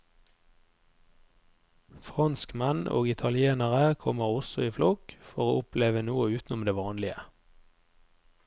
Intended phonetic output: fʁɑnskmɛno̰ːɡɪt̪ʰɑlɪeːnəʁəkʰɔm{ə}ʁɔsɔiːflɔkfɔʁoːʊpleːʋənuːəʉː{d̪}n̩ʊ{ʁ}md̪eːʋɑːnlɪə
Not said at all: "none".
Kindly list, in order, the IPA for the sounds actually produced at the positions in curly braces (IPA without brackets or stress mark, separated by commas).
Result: ə, t̪, none